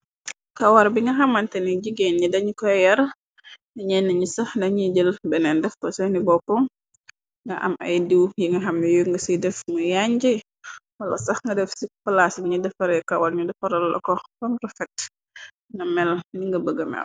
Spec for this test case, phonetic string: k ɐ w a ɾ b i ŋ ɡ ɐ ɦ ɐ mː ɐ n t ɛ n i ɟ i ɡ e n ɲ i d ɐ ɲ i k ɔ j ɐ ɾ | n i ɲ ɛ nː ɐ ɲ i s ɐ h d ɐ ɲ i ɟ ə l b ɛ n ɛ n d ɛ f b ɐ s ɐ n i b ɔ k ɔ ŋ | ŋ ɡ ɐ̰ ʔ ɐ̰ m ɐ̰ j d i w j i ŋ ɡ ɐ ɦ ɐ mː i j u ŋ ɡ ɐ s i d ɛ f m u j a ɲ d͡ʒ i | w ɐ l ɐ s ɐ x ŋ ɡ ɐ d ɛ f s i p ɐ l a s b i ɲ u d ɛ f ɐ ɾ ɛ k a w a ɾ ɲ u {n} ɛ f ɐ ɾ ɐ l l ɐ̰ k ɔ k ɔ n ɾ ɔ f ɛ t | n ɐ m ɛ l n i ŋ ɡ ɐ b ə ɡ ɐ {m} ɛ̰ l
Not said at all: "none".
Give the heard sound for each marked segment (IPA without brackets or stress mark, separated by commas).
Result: d, m